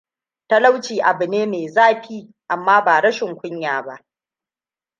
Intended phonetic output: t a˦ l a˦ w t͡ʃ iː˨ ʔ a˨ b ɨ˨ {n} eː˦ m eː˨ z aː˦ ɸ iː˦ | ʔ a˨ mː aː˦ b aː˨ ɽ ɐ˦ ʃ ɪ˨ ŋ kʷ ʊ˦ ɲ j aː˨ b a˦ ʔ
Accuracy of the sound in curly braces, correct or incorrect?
correct